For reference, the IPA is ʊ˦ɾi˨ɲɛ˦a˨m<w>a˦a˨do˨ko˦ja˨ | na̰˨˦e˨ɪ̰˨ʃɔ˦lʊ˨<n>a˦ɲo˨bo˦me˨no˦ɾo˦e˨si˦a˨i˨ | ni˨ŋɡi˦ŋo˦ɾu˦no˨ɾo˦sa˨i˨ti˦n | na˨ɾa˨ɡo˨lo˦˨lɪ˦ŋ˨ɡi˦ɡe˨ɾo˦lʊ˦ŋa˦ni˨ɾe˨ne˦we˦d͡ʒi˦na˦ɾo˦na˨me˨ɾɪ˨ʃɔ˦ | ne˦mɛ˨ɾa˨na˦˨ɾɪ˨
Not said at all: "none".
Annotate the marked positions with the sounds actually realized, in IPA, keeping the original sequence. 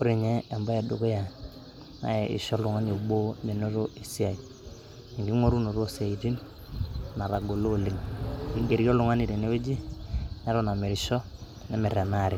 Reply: b, ŋ

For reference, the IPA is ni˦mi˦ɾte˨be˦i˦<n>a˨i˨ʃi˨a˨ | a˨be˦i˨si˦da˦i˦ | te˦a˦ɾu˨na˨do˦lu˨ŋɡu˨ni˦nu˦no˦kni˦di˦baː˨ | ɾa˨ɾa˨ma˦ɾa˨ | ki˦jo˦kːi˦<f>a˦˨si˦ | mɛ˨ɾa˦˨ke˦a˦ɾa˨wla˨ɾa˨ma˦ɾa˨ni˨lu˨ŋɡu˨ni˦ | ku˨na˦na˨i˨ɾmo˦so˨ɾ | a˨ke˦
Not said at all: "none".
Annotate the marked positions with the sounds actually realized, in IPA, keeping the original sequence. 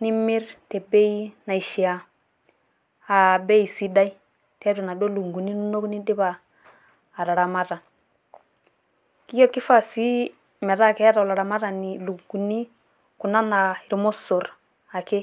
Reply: n, f

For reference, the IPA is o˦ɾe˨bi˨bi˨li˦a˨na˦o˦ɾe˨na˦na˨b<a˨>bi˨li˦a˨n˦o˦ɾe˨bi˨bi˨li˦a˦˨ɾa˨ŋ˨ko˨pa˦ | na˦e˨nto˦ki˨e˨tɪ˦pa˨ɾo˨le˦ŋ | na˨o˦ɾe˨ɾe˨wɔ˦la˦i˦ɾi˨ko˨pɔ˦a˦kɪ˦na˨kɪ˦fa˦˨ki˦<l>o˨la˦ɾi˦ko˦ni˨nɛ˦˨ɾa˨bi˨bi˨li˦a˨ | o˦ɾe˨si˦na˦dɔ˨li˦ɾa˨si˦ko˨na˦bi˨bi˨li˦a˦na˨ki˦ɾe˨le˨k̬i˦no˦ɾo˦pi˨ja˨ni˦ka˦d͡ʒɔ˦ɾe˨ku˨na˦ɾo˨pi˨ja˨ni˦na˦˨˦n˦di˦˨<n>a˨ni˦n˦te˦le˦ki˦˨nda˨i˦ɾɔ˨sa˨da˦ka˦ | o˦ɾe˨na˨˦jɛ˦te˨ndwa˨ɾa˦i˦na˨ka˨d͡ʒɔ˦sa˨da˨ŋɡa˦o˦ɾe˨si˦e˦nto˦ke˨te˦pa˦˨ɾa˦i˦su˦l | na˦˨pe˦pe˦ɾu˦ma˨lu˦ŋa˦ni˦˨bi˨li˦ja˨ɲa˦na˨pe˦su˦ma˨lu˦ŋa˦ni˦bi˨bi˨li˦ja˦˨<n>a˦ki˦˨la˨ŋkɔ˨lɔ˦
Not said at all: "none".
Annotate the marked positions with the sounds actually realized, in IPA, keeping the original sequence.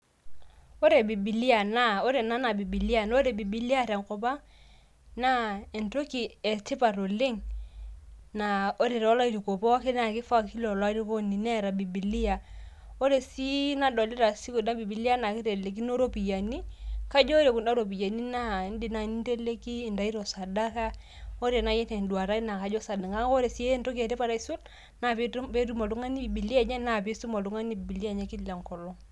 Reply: i˨, l, n, ɲ

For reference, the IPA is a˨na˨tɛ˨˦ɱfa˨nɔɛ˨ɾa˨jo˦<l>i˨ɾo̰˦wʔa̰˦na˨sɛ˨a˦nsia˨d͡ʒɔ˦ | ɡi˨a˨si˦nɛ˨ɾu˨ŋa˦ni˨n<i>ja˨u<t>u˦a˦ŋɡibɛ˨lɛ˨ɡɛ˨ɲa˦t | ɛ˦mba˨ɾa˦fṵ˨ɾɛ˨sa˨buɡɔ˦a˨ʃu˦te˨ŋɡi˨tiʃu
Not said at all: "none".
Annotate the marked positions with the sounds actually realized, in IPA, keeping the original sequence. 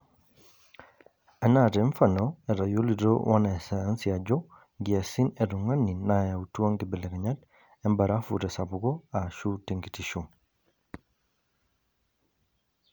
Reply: l, a, t

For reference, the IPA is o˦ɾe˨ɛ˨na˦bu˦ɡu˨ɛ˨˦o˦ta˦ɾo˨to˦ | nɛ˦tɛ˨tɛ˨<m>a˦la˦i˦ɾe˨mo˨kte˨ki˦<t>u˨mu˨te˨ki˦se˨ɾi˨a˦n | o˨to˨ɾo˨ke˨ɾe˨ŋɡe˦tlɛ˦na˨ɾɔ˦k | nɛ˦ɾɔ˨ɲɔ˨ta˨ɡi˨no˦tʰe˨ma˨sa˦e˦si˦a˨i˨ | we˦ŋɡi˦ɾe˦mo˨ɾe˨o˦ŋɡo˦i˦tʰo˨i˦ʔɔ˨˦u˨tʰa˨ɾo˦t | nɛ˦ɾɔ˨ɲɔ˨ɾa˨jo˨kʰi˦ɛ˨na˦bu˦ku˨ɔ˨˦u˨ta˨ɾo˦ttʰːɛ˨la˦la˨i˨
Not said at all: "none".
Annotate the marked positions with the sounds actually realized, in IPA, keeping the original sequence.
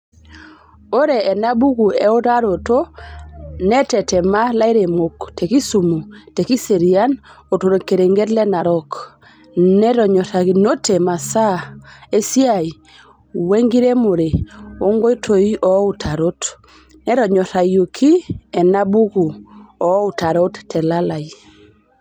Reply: m, s

